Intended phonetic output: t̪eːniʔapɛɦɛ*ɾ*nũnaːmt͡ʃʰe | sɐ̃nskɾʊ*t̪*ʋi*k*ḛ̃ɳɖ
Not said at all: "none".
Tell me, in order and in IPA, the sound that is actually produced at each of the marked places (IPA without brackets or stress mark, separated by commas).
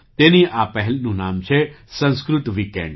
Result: l, t̪, k